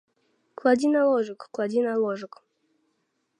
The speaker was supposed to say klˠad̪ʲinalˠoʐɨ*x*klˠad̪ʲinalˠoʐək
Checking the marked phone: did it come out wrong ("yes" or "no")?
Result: yes